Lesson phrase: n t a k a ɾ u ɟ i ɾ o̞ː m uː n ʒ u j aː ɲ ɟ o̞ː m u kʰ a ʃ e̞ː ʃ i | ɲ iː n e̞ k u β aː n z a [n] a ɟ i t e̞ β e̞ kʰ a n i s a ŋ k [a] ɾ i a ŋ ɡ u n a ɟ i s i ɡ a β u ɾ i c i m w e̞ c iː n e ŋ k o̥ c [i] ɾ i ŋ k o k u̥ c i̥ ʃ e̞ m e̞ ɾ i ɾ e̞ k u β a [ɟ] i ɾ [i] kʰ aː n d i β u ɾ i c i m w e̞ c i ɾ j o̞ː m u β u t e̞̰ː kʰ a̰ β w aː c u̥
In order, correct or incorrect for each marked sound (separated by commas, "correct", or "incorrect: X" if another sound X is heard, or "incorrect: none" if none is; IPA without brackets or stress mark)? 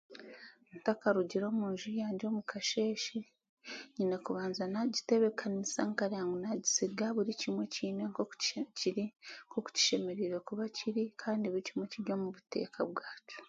correct, correct, correct, incorrect: c, correct